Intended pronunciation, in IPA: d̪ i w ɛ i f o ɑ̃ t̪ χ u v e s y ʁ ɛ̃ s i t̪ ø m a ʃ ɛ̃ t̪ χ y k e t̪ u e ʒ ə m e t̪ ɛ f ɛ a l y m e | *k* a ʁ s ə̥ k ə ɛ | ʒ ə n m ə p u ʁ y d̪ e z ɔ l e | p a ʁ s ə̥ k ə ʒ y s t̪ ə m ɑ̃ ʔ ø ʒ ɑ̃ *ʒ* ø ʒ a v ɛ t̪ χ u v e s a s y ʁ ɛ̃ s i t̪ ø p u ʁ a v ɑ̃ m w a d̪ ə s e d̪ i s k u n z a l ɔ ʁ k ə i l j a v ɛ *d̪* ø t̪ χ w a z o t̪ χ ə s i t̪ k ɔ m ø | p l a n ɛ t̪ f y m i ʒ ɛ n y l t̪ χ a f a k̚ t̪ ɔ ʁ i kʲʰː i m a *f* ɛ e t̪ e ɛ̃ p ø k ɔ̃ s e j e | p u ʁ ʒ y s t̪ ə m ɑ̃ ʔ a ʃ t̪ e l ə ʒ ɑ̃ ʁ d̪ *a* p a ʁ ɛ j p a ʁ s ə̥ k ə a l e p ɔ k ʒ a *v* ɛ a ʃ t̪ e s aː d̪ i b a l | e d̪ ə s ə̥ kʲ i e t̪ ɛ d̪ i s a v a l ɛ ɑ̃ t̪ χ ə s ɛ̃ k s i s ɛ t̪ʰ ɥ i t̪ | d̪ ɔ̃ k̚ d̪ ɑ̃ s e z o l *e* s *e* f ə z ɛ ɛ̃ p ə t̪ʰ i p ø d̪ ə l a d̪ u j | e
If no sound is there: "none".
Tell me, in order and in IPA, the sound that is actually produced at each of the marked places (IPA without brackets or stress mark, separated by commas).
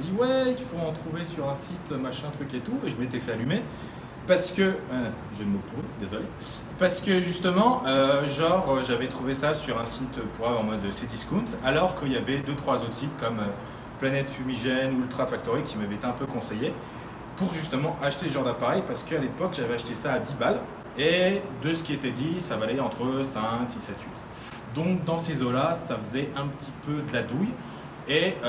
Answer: p, ʁ, d̪, v, a, v, a, a